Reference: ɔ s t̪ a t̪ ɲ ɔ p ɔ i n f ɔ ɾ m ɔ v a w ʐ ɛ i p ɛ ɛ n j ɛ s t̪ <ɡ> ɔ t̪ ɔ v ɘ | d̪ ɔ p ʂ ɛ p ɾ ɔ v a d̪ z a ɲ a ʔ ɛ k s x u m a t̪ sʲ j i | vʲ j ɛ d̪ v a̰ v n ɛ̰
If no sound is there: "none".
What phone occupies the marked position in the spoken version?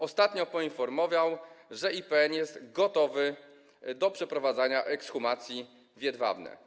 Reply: ɡ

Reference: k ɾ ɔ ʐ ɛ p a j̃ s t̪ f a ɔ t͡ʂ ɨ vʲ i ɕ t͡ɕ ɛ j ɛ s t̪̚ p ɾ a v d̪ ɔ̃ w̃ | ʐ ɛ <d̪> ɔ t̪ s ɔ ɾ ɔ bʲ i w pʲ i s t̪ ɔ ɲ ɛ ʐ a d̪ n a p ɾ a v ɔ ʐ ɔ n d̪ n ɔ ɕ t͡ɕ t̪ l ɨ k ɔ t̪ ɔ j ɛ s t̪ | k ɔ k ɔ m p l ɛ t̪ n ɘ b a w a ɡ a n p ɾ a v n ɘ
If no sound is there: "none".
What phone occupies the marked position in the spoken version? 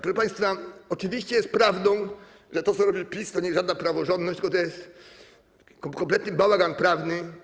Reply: t̪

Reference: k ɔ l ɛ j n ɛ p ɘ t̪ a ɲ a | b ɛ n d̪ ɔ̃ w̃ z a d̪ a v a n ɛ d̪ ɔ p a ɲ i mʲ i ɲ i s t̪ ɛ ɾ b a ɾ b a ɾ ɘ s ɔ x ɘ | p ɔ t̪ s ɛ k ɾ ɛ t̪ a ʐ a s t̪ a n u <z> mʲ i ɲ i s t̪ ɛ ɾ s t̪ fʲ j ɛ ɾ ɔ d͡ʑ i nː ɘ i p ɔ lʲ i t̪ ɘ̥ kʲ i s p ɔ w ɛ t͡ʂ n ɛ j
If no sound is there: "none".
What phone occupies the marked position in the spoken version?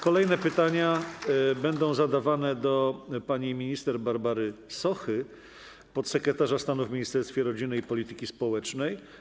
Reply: v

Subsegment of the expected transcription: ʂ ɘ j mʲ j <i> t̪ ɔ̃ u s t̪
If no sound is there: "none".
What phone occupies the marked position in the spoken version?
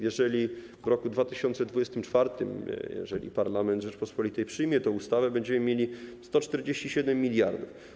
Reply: ɛ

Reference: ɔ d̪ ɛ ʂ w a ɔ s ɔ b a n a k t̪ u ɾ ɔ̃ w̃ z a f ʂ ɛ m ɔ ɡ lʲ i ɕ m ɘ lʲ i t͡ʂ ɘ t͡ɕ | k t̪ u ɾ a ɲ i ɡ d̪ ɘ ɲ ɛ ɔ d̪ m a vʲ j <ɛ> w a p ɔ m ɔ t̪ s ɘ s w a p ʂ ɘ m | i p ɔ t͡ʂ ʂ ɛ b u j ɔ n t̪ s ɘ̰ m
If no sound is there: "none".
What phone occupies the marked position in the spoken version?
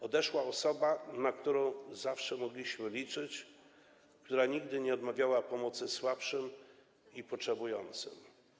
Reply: a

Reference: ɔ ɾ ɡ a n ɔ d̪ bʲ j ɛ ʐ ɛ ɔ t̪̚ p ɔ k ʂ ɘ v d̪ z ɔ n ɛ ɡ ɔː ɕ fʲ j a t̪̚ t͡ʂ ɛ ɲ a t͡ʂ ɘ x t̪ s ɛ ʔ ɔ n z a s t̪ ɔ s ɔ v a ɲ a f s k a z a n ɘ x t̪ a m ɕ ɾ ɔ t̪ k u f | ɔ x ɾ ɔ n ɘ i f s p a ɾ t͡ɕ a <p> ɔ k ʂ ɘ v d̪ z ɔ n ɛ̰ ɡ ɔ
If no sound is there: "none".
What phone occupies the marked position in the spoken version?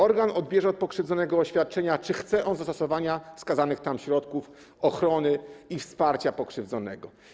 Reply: p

